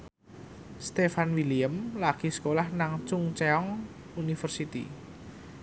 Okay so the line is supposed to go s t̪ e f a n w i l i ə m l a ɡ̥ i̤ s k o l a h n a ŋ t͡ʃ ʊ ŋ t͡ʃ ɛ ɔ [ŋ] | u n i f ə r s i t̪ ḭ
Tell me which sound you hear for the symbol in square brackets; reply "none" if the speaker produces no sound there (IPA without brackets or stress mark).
ŋ